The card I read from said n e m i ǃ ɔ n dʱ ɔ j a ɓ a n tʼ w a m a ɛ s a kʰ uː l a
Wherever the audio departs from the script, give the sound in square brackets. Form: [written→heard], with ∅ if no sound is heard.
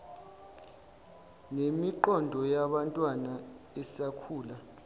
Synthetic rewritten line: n e m i ǃ ɔ n dʱ ɔ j a ɓ a n tʼ w a [m→n] a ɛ s a kʰ uː l a